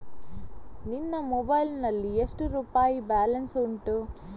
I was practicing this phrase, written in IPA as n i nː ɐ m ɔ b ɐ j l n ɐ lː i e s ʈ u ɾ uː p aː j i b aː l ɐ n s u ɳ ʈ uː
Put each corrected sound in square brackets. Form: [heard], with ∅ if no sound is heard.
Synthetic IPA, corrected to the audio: n i nː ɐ m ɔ b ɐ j l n ɐ lː i e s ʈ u ɾ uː p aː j i b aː l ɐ n s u ɳ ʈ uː